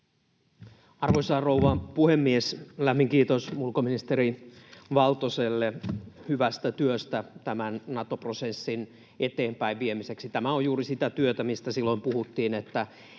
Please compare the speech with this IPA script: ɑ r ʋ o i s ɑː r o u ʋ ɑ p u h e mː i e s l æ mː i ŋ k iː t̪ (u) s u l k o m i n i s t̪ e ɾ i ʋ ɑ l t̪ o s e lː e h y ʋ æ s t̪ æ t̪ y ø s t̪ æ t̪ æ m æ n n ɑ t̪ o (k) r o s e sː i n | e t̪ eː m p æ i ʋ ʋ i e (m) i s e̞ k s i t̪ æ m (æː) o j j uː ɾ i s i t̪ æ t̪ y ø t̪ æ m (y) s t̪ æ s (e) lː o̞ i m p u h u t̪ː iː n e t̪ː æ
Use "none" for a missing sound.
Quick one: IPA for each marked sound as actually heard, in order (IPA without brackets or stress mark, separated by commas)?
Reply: o, p, m, æ, i, i